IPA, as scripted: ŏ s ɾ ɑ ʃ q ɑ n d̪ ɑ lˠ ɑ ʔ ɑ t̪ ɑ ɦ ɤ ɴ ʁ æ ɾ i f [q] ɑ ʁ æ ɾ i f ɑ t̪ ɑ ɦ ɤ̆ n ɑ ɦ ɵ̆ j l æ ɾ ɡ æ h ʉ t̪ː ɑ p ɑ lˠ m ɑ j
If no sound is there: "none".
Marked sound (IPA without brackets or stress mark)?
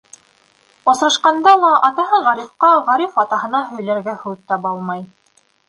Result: q